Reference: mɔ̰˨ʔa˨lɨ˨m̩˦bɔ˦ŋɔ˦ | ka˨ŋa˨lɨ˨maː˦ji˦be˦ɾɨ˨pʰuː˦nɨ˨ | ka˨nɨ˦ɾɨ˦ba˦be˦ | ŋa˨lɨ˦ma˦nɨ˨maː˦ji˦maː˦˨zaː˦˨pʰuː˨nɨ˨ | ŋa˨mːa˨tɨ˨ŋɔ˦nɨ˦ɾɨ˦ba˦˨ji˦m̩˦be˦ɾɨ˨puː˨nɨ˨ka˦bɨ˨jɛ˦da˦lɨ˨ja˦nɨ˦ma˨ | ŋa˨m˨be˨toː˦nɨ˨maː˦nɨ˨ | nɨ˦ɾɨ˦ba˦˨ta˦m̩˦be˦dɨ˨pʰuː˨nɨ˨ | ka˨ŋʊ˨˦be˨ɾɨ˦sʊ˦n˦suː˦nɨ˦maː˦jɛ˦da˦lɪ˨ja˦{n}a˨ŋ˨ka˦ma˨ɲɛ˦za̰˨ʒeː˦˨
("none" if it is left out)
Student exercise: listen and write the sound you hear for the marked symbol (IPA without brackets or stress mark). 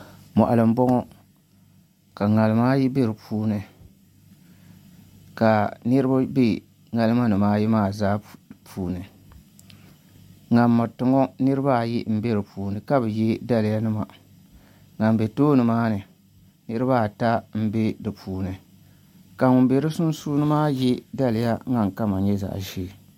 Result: ŋ